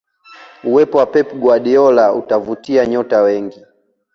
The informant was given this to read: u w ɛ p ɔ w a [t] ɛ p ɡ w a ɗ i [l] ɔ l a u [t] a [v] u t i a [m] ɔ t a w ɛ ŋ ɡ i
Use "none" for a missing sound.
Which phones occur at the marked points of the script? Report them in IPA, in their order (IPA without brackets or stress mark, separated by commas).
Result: p, none, t, v, ɲ